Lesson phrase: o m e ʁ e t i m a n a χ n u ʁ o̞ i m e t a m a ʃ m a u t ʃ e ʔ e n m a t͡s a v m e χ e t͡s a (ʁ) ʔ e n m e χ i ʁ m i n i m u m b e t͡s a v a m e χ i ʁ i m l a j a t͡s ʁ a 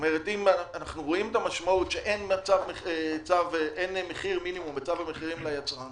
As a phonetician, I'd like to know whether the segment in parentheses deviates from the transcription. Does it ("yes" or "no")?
yes